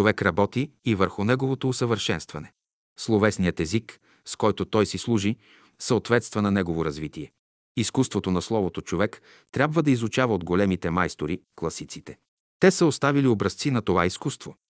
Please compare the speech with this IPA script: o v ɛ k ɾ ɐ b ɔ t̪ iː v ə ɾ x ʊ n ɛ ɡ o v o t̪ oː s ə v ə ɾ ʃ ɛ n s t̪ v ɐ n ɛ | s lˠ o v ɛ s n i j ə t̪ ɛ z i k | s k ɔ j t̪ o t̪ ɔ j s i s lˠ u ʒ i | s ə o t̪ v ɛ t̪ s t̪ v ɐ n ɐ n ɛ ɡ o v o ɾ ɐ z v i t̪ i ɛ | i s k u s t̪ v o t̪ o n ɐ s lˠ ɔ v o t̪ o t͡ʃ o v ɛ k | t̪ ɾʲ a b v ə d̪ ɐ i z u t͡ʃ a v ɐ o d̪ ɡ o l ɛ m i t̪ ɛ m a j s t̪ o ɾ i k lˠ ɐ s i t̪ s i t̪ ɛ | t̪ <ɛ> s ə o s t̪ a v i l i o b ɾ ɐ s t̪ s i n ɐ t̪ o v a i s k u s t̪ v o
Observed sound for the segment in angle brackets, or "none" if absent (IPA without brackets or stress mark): ɛ